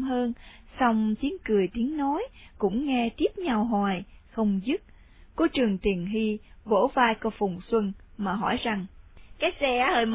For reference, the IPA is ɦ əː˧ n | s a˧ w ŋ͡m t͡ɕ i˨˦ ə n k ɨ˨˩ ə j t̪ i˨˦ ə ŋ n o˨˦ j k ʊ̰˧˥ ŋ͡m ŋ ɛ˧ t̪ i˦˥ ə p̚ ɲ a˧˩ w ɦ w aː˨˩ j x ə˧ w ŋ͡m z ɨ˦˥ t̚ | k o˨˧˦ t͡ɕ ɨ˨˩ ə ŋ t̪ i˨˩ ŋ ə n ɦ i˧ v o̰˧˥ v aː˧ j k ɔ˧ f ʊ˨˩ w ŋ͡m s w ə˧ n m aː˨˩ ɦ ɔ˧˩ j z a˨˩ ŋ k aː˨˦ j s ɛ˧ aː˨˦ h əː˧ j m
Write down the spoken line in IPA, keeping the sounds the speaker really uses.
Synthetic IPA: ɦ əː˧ n | s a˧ w ŋ͡m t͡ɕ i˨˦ ə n k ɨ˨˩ ə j t̪ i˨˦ ə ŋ n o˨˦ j k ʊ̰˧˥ ŋ͡m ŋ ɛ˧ t̪ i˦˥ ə p̚ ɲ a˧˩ w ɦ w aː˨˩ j x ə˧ w ŋ͡m z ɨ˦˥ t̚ | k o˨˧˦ t͡ɕ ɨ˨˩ ə ŋ t̪ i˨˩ ə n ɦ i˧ v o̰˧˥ v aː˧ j k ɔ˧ f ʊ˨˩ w ŋ͡m s w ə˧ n m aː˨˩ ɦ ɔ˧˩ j z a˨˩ ŋ k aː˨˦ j s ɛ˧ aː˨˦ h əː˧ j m